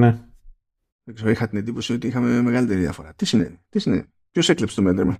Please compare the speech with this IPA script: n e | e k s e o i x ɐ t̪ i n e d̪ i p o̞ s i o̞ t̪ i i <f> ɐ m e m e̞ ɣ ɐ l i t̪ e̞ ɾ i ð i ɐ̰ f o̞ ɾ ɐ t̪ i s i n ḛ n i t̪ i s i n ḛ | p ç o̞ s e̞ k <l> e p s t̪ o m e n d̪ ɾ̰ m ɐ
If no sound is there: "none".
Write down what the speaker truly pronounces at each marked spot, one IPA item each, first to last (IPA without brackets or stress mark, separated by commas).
x, l